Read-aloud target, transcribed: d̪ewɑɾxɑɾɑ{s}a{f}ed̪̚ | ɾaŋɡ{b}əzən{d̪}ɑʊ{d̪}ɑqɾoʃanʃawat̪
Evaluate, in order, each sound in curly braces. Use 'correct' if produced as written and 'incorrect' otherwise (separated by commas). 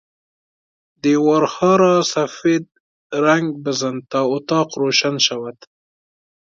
correct, correct, correct, incorrect, incorrect